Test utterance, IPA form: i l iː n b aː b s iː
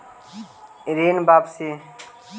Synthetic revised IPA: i ɾ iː n b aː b s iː

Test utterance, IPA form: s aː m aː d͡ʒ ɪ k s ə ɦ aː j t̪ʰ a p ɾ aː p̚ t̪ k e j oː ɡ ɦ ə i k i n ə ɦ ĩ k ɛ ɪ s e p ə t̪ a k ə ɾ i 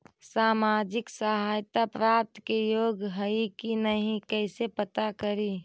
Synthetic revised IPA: s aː m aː d͡ʒ ɪ k s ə ɦ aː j t̪ a p ɾ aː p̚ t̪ k e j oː ɡ ɦ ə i k i n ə ɦ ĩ k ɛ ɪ s e p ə t̪ a k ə ɾ i

